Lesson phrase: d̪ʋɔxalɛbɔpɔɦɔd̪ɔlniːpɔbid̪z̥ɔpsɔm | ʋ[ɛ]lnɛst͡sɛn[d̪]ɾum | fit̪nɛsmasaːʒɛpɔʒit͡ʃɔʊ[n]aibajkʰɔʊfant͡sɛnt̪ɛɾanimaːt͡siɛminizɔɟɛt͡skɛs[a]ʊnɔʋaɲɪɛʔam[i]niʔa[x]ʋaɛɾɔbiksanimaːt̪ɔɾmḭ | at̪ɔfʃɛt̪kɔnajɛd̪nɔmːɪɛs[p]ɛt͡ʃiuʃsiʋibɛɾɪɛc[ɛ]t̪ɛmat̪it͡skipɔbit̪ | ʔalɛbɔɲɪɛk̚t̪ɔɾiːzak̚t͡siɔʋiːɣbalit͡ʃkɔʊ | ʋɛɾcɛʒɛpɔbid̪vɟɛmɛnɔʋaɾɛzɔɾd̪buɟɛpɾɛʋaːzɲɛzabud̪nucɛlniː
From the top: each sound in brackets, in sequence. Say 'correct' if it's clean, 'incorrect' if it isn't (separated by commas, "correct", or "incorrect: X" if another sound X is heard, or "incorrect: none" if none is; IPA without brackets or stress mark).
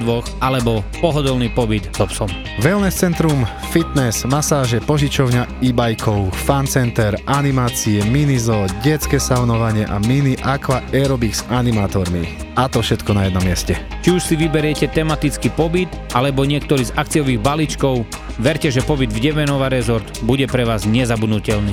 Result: correct, incorrect: t̪, incorrect: ɲ, correct, correct, incorrect: k, incorrect: c, correct